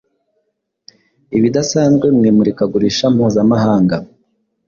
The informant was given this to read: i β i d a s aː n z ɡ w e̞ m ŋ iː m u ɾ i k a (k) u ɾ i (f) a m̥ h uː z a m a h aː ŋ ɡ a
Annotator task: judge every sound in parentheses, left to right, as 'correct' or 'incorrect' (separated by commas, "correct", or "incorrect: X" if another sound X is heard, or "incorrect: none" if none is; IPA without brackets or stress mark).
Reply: incorrect: ɡ, incorrect: ʃ